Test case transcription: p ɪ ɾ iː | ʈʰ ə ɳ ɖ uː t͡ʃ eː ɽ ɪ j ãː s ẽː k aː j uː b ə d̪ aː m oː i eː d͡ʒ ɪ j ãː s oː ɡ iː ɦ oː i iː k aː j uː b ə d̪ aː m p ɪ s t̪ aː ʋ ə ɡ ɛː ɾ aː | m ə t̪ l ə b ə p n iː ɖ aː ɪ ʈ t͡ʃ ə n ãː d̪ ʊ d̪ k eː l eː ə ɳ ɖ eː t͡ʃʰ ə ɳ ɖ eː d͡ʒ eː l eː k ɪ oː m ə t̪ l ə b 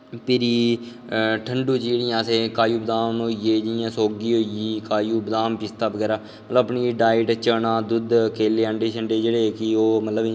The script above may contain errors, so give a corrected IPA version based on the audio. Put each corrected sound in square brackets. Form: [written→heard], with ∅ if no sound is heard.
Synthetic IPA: p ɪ ɾ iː | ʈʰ ə ɳ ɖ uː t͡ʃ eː ɽ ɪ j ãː s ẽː k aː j uː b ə d̪ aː m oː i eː d͡ʒ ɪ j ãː s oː ɡ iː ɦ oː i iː k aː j uː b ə d̪ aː m p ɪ s t̪ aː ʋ ə ɡ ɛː ɾ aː | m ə t̪ l ə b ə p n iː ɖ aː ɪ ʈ t͡ʃ ə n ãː d̪ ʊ d̪ k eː l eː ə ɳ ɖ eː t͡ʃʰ ə ɳ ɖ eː d͡ʒ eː [l→ɽ] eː k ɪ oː m ə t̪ l ə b